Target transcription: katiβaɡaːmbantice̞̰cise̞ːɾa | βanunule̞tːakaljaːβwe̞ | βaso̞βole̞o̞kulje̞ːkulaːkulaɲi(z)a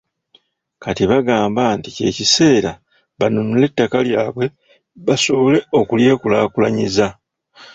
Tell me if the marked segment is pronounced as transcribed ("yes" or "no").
yes